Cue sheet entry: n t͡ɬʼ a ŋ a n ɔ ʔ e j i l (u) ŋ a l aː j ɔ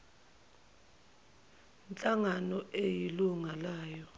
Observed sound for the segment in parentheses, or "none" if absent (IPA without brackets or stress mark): u